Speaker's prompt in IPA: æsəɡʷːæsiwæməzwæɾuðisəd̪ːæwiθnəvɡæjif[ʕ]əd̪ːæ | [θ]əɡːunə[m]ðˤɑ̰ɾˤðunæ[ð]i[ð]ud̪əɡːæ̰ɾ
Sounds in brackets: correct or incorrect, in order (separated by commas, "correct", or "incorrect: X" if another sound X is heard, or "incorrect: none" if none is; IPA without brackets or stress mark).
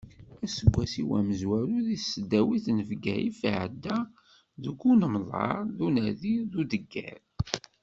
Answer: correct, incorrect: ð, correct, correct, correct